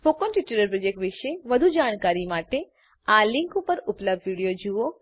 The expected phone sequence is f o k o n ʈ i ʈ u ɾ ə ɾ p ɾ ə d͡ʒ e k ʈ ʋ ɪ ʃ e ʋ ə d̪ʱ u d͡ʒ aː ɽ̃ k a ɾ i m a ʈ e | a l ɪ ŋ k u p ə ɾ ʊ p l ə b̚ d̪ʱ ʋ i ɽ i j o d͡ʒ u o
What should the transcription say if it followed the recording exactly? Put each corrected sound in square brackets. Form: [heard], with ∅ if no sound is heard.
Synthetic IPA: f o k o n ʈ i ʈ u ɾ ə ɾ p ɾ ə d͡ʒ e k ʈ ʋ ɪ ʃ e ʋ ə d̪ʱ u d͡ʒ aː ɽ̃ k a ɾ i m a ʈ e | a l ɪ ŋ k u p ə ɾ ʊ p l ə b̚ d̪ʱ ʋ i ɽ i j o d͡ʒ u o